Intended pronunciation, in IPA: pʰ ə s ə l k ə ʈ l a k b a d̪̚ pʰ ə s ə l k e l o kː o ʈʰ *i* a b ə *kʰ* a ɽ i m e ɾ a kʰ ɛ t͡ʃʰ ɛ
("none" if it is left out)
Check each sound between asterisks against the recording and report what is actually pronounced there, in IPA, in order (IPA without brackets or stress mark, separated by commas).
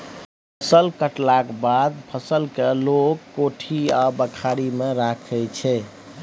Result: i, kʰ